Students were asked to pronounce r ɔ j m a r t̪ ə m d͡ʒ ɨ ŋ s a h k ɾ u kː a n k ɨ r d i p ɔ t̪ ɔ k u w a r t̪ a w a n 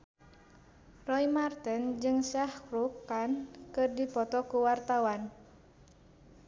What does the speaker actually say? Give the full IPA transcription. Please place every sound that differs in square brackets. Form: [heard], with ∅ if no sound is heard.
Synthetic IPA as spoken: r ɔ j m a r t̪ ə [n] d͡ʒ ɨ ŋ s a h k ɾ u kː a n k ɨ r d i p ɔ t̪ ɔ k u w a r t̪ a w a n